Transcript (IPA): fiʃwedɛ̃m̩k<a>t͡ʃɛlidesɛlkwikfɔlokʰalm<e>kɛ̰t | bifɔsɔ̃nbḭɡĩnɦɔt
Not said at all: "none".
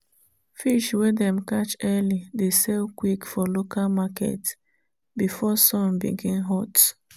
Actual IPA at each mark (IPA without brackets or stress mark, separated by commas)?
a, a